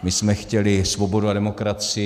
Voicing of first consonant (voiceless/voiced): voiced